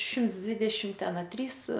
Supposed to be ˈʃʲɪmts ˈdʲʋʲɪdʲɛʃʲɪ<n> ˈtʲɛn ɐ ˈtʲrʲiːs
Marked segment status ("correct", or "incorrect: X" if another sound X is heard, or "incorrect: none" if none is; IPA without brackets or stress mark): incorrect: m